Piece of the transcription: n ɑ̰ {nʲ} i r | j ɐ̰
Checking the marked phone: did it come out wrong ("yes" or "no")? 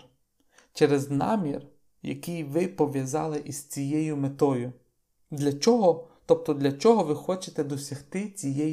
yes